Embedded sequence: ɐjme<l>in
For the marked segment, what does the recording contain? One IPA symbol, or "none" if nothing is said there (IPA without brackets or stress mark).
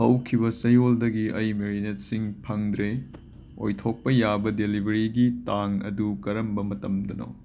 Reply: ɾ